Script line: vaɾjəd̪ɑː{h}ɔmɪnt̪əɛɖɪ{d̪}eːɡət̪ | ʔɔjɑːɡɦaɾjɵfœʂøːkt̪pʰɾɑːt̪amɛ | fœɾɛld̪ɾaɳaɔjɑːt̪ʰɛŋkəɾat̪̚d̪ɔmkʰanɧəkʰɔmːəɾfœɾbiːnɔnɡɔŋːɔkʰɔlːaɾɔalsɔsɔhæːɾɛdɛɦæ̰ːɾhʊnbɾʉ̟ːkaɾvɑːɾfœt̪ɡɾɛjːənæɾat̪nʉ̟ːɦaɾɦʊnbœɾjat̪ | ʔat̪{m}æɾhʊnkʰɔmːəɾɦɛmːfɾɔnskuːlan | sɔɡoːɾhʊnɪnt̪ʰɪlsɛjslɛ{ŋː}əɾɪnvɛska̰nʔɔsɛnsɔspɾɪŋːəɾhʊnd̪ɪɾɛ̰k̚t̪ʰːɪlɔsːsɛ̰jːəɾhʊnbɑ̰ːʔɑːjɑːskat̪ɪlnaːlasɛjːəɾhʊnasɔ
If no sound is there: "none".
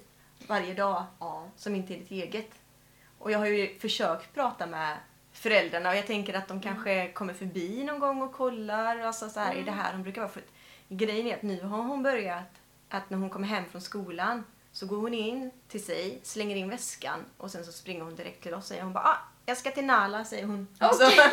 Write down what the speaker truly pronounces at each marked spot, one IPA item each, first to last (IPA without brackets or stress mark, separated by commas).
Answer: s, t̪, n, ŋː